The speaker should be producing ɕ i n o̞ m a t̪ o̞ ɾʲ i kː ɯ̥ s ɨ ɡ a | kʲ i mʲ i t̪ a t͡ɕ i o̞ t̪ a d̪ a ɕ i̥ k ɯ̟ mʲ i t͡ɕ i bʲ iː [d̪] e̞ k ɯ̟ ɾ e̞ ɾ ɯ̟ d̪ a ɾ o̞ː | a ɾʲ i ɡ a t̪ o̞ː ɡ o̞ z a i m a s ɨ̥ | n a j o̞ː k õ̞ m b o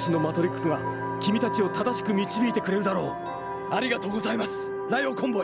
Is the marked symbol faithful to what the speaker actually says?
no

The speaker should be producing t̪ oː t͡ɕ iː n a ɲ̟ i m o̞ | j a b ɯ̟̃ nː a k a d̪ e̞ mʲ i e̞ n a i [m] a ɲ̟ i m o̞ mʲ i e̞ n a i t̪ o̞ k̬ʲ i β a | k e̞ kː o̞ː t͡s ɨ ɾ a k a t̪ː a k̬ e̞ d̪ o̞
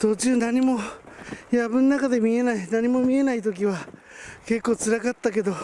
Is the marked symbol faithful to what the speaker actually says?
no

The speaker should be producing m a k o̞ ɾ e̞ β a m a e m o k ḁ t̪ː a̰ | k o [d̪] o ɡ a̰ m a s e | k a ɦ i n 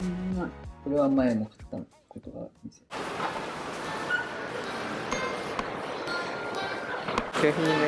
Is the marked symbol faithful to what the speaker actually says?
no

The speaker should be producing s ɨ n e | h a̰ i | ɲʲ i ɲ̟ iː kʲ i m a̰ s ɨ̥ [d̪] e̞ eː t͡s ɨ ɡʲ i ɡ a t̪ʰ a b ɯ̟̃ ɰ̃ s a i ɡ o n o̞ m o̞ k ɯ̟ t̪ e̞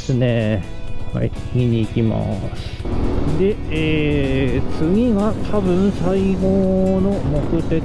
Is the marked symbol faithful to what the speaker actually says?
yes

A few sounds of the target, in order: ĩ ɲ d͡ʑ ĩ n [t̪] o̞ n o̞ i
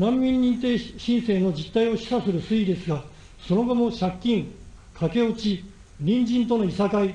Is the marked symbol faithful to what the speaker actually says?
yes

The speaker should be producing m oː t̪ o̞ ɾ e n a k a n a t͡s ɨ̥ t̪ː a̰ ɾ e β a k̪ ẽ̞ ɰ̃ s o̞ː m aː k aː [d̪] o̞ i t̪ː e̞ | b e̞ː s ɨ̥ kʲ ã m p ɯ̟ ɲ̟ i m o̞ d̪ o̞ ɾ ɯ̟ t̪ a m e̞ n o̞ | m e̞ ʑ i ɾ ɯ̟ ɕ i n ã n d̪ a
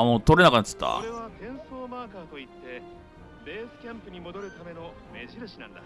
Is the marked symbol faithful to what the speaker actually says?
no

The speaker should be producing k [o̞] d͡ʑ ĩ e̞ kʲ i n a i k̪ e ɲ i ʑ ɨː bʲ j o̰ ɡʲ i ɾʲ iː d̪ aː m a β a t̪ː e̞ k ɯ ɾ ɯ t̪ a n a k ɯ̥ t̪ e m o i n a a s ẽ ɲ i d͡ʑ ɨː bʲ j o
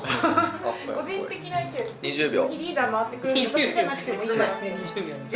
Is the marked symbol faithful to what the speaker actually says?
yes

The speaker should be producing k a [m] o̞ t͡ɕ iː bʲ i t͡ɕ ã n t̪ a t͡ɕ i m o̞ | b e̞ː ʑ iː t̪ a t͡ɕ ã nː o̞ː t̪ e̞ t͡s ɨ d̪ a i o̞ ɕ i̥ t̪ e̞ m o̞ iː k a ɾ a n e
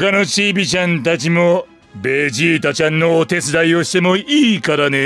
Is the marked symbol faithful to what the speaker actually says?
no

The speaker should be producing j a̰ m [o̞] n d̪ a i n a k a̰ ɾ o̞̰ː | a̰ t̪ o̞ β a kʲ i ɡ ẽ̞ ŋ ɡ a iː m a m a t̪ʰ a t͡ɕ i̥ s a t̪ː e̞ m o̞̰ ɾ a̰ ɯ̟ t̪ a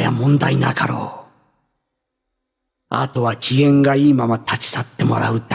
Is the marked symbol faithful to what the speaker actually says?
no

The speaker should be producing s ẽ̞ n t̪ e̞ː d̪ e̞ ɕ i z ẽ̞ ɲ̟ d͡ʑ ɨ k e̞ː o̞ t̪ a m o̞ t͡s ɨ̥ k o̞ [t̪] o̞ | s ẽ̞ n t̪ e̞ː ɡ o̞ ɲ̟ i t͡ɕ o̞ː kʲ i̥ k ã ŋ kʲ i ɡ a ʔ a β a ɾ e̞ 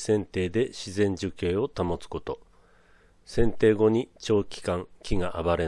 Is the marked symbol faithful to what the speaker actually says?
yes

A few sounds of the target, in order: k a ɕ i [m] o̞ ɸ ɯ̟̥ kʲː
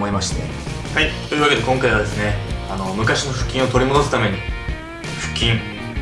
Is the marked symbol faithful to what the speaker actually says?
no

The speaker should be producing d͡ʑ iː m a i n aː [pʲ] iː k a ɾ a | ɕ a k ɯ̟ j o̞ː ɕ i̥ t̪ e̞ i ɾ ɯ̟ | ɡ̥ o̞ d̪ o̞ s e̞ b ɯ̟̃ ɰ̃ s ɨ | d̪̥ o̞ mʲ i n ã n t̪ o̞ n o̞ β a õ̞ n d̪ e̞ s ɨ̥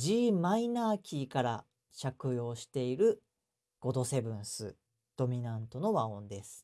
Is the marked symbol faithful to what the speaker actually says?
no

